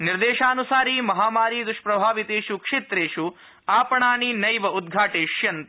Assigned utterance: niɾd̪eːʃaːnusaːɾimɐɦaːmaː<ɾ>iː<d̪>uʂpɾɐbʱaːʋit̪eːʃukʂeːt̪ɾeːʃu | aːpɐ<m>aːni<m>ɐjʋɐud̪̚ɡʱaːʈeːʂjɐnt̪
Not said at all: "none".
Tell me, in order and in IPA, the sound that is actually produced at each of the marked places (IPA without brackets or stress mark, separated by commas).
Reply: ɾ, d̪, ɳ, n